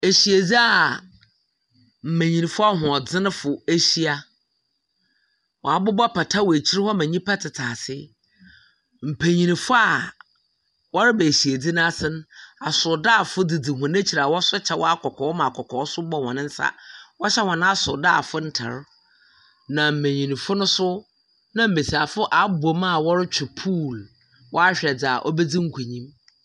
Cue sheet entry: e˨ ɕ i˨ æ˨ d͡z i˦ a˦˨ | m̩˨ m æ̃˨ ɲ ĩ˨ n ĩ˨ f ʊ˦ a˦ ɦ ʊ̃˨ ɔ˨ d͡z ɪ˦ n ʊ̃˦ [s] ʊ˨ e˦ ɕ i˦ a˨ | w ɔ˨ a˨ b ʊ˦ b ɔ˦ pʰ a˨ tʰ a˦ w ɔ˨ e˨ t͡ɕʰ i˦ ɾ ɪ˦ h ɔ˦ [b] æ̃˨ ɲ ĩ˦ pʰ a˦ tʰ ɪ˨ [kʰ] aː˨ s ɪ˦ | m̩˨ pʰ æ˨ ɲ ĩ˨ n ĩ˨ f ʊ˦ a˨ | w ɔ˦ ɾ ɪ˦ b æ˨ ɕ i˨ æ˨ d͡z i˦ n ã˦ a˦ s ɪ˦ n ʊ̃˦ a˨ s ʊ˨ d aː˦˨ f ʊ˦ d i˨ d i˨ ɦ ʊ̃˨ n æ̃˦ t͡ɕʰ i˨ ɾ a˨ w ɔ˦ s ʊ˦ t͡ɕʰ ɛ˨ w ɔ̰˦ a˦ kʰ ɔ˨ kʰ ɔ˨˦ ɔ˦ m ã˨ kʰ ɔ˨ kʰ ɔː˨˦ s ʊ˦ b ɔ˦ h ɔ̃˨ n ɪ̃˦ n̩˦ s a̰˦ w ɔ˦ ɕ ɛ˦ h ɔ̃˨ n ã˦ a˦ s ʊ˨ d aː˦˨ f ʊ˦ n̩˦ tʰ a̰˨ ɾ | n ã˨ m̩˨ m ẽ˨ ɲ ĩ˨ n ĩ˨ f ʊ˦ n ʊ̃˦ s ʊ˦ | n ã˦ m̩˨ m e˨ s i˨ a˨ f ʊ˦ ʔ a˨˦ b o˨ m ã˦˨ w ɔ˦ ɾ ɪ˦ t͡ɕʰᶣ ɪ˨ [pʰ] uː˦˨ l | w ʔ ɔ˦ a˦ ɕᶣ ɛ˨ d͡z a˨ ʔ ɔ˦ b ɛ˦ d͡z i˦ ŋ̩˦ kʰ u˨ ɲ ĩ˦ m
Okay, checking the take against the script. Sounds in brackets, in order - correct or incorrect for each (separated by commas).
incorrect, incorrect, incorrect, correct